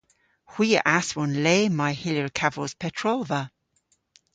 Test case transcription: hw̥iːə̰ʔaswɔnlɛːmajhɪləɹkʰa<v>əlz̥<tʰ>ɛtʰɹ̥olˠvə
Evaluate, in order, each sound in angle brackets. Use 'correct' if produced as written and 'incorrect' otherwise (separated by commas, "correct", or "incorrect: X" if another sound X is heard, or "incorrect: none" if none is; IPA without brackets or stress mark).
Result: correct, incorrect: pʰ